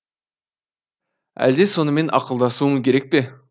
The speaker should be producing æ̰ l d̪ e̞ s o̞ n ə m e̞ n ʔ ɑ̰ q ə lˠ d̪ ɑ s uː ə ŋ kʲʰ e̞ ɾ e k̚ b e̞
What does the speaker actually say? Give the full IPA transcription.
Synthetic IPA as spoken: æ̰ l d̪ e̞ s o̞ n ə m e̞ n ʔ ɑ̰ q ə lˠ d̪ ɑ s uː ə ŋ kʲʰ e̞ ɾ e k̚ p e̞